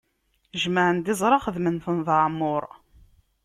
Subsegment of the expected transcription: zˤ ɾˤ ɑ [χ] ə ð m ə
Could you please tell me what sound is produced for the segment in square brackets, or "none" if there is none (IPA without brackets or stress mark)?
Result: χ